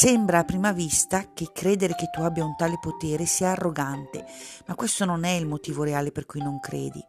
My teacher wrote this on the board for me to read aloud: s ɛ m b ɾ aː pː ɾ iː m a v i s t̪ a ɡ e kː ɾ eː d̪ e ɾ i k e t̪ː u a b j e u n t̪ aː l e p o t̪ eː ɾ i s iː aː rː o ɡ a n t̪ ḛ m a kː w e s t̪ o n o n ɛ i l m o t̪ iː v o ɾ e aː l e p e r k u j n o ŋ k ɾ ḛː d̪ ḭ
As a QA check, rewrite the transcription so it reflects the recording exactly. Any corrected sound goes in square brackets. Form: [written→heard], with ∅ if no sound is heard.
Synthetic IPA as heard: s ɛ m b ɾ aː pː ɾ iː m a v i s t̪ a [ɡ→k] e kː ɾ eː d̪ e ɾ [i→e] k e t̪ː u a b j [e→a] u n t̪ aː l e p o t̪ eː ɾ [i→e] s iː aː rː o ɡ a n t̪ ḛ m a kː w e s t̪ o n o n ɛ i l m o t̪ iː v o ɾ e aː l e p e r k u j n o ŋ k ɾ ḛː d̪ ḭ